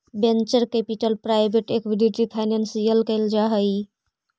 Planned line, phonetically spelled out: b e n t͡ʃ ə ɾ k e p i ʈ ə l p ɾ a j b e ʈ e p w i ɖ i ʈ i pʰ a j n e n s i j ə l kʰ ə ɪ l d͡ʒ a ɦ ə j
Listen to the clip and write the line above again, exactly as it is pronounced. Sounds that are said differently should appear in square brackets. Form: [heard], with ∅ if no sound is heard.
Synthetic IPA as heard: b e n t͡ʃ ə ɾ k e p i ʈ ə l p ɾ a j b e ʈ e [k] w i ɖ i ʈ i pʰ a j n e n s i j ə l [k] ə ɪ l d͡ʒ a ɦ ə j